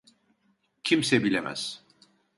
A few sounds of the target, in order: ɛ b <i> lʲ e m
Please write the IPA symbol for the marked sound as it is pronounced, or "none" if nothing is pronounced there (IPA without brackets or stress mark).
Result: i